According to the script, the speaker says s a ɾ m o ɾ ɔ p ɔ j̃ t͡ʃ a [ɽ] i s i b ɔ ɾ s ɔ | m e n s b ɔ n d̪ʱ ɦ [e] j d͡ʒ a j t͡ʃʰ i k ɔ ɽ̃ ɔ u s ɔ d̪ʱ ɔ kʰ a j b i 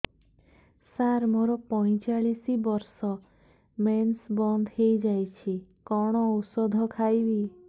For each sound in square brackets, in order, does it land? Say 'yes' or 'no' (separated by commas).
no, yes